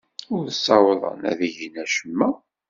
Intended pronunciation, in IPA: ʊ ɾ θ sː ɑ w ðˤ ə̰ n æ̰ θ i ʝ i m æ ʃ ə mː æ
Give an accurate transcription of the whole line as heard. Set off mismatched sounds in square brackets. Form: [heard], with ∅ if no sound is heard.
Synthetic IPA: ʊ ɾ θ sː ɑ w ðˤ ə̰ n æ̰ [ð] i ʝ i [n] æ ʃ ə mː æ

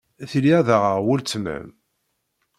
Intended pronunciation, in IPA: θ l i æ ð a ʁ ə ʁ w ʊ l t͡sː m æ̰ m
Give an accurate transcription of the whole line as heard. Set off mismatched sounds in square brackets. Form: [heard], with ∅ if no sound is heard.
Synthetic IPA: θ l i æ ð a ʁ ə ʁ w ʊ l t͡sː m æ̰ m

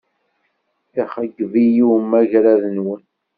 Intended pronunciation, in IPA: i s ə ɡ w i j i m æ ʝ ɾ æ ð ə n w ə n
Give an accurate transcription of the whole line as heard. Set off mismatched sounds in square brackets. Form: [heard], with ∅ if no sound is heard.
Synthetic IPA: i [χ] ə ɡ [v] i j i m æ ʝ ɾ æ ð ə n w ə n

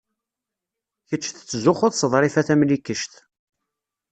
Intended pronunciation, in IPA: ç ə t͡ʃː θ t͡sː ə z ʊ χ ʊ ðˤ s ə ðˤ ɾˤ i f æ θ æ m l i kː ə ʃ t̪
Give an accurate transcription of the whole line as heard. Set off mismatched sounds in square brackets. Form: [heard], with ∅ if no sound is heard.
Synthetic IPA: ç ə t͡ʃː θ t͡sː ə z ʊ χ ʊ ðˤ s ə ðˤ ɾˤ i f æ θ æ m l i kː ə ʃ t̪

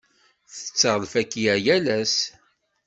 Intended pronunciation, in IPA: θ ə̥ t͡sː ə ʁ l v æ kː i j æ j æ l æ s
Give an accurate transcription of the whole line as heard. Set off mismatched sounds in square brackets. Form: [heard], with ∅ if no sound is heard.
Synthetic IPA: θ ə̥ t͡sː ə ʁ l [f] æ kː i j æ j æ l æ s

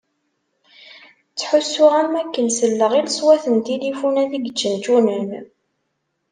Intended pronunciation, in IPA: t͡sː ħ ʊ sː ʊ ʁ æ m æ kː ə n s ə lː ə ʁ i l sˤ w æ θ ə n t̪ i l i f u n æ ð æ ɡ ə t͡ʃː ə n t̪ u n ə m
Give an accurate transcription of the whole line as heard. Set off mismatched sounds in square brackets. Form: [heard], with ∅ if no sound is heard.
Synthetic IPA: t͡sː ħ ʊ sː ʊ ʁ æ m æ kː ə n s ə lː ə ʁ i l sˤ w æ θ ə n t̪ i l i f u n æ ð [i] ɡ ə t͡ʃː ə n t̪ u n ə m

